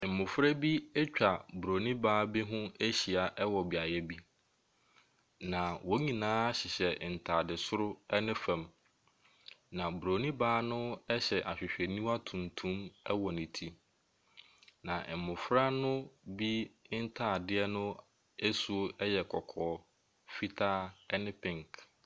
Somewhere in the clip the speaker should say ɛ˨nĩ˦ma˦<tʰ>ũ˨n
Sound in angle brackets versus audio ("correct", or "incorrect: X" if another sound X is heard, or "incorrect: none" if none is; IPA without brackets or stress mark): correct